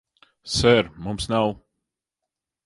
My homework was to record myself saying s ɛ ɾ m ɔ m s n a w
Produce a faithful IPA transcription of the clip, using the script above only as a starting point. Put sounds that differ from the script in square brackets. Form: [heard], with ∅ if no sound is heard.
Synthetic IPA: s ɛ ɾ m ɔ m s n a w